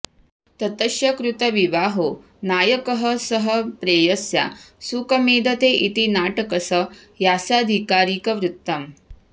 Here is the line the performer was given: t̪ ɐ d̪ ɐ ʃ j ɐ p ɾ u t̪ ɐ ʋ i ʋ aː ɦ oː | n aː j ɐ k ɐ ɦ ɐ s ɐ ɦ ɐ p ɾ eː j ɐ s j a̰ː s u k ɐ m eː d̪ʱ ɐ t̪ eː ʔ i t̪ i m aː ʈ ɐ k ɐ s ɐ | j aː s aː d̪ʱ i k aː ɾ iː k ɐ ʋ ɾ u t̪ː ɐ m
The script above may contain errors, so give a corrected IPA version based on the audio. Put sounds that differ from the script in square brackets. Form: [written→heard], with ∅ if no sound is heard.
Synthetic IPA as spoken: t̪ ɐ [d̪→t̪] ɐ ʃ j ɐ [p→k] ɾ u t̪ ɐ ʋ i ʋ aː ɦ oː | n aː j ɐ k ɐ ɦ ɐ s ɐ ɦ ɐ p ɾ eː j ɐ s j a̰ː s u k ɐ m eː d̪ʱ ɐ t̪ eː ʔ i t̪ i [m→n] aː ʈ ɐ k ɐ s ɐ | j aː s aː d̪ʱ i k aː ɾ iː k ɐ ʋ ɾ u t̪ː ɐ m